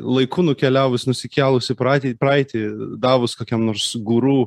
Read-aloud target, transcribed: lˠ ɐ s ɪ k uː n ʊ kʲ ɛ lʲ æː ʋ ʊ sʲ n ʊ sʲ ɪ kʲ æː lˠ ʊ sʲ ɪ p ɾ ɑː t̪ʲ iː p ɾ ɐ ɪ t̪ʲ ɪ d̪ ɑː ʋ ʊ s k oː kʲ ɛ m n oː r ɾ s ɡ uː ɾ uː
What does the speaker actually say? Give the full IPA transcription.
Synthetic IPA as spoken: lˠ ɐ ɪ k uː n ʊ kʲ ɛ lʲ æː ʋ ʊ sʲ n ʊ sʲ ɪ kʲ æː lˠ ʊ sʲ ɪ p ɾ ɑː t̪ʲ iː p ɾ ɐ ɪ t̪ʲ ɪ d̪ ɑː ʋ ʊ s k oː kʲ ɛ m n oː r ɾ s ɡ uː ɾ uː